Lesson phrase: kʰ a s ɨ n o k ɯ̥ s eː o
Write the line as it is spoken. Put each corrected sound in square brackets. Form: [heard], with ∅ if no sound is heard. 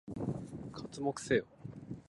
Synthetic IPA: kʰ a [t͡s] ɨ [m] o k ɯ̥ s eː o